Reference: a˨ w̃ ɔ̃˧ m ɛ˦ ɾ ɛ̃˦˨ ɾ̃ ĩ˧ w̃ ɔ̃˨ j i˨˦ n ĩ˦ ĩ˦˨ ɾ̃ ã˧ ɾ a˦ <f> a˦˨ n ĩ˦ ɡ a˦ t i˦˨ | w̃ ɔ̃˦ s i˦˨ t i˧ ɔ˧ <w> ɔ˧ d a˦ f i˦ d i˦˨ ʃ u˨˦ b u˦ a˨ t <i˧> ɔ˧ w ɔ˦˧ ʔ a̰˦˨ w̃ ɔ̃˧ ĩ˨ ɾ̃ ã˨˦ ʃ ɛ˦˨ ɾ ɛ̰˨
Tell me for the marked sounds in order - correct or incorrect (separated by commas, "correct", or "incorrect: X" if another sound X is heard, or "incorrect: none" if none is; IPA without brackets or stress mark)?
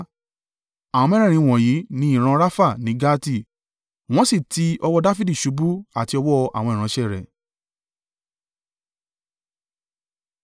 correct, correct, correct